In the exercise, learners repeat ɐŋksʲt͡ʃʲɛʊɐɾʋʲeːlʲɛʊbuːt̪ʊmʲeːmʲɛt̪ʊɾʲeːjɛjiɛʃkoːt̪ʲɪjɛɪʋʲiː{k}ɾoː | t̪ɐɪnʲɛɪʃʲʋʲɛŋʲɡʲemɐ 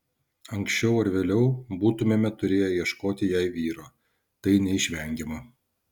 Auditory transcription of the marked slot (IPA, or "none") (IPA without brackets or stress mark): none